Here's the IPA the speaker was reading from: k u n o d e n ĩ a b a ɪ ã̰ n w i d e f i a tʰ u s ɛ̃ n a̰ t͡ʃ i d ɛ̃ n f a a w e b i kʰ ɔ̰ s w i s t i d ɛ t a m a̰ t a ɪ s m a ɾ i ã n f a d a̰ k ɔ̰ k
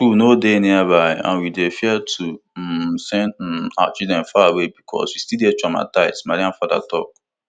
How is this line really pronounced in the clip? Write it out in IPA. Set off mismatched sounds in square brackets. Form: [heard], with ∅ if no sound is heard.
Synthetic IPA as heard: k u n o d e n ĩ a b a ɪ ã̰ n w i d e f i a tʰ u s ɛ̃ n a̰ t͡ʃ i d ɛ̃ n f a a w e b i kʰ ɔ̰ s w i s t i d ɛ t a m a̰ t a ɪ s m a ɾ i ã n f a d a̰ [t] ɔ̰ k